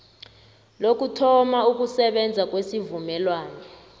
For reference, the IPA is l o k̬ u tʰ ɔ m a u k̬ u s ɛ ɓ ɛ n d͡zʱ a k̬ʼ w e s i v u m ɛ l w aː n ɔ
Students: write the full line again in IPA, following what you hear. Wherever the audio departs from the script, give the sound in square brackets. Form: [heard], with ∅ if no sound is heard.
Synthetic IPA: l o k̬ u tʰ ɔ m a u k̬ u s ɛ ɓ ɛ n d͡zʱ a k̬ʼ w e s i v u m ɛ l w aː n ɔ

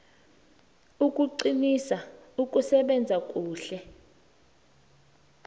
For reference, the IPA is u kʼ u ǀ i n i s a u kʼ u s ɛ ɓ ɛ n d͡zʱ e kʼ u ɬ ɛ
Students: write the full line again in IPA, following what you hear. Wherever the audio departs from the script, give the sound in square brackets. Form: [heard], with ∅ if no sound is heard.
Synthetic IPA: u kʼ u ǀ i n i s a u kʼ u s ɛ ɓ ɛ n d͡zʱ [a] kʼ [uː] ɬ ɛ

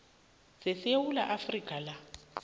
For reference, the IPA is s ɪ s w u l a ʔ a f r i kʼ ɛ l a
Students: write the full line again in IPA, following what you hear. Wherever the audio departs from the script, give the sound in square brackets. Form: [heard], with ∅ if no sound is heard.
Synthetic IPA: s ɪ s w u l a ʔ a f r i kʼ [a] l a

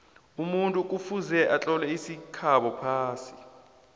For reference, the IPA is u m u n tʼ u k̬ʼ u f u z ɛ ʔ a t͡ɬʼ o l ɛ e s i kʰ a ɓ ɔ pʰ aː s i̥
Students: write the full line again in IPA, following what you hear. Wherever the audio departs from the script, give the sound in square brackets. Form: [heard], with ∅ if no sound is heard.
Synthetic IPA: u m u n tʼ u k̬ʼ u f u z ɛ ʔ a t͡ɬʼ [ɔ] l ɛ [i] s i kʰ a ɓ ɔ pʰ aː s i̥

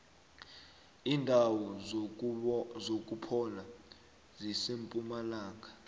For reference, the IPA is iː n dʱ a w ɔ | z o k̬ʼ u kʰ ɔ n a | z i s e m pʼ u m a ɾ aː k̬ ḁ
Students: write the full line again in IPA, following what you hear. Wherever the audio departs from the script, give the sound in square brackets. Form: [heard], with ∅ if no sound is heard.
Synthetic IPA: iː n dʱ a w ɔ | z o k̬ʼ u [pʰ] ɔ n a | z i s e m pʼ u m a [l] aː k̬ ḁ

